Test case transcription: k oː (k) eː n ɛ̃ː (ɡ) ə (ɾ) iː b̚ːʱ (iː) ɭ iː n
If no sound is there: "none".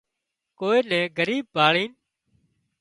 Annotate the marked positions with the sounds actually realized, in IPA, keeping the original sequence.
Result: none, ɡ, ɾ, aː

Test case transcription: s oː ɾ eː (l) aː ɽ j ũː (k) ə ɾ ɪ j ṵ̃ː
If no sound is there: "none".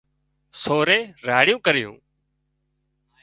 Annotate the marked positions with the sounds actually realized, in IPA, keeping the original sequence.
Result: ɾ, k

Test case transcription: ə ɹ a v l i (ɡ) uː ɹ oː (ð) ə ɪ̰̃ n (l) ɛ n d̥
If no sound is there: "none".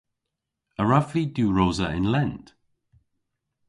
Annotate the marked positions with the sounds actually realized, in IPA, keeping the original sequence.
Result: d, z, l

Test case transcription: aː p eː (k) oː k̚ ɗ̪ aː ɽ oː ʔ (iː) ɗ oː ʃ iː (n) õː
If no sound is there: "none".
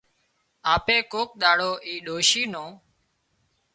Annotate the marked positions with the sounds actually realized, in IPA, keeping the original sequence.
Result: k, iː, n

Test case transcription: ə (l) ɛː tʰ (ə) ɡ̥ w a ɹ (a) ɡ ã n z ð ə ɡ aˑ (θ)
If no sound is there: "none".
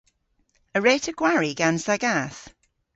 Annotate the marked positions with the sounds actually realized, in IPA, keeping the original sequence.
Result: ɹ, ə, i, θ

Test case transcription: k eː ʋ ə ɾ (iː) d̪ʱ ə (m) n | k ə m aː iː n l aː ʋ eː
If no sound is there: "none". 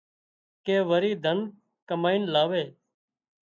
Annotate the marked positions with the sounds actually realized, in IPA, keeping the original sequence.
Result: iː, none

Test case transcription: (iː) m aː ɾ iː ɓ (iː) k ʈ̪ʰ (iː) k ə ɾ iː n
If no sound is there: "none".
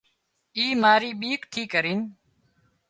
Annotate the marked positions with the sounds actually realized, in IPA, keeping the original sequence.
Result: iː, iː, iː

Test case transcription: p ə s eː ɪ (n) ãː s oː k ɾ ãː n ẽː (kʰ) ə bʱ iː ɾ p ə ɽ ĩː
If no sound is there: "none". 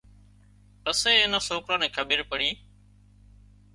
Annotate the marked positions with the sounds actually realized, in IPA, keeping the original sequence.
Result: n, kʰ

